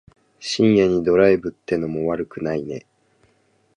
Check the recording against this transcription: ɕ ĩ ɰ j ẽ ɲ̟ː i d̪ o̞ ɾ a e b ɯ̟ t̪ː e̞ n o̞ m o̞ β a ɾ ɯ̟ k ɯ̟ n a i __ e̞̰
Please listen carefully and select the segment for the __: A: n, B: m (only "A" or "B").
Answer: A